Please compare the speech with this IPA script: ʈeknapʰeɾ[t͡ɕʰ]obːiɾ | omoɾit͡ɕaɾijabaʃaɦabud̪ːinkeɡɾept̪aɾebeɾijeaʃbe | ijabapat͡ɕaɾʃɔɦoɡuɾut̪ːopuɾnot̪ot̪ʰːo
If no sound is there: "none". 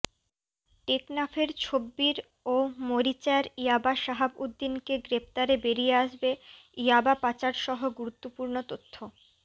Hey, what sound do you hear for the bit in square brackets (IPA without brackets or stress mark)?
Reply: t͡ɕʰ